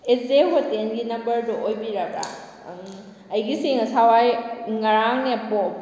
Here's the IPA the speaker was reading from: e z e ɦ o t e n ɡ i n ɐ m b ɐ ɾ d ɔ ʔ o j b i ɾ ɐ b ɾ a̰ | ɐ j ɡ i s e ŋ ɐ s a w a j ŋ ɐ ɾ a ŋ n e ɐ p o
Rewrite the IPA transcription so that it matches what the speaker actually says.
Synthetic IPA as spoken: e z e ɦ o t e n ɡ i n ɐ m b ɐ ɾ d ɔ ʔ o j b i ɾ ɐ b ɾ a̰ | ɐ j ɡ i s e ŋ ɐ s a w a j ŋ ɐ ɾ a ŋ n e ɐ p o